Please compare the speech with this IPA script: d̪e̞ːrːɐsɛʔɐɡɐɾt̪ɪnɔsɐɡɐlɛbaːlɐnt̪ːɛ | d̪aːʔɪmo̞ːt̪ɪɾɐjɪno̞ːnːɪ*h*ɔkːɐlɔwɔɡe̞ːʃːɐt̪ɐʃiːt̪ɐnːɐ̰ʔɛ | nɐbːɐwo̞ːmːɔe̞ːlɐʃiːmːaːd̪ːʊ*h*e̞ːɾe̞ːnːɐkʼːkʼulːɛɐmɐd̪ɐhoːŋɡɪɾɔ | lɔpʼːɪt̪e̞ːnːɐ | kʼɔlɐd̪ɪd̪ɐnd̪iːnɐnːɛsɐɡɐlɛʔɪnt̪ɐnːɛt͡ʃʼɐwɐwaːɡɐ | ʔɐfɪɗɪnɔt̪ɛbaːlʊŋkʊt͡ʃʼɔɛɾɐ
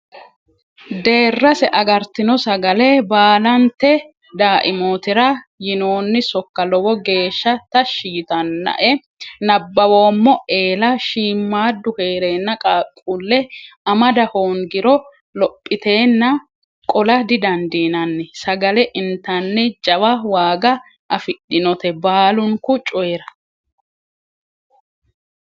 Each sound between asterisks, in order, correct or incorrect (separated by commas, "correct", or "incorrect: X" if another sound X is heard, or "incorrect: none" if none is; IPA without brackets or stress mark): incorrect: s, correct